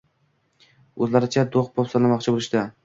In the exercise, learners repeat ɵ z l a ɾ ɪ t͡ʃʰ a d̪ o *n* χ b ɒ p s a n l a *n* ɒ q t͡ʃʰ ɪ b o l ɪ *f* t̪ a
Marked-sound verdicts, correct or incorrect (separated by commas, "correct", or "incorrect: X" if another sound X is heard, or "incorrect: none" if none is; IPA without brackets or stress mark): incorrect: none, incorrect: m, incorrect: ʃ